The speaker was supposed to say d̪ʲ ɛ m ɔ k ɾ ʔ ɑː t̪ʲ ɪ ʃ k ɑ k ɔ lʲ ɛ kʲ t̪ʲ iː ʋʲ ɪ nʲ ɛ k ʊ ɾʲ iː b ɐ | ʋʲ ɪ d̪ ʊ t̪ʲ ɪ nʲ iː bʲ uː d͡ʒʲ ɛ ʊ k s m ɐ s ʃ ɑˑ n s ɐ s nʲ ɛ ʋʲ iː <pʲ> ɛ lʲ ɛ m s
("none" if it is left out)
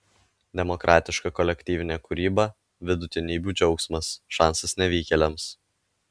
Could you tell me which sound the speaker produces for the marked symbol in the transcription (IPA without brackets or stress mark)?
kʲ